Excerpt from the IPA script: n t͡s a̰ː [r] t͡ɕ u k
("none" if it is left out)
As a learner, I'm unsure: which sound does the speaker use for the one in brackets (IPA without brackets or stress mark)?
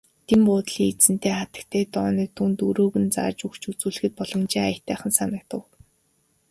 r